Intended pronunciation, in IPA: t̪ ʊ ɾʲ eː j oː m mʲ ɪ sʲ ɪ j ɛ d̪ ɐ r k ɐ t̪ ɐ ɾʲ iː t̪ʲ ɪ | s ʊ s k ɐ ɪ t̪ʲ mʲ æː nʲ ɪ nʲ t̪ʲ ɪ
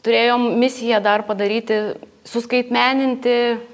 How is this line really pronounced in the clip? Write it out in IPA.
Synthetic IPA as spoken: t̪ ʊ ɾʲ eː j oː m mʲ ɪ sʲ ɪ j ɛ d̪ ɐ r p ɐ d̪ ɐ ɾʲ iː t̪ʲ ɪ | s ʊ s k ɐ ɪ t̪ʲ mʲ æː nʲ ɪ nʲ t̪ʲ ɪ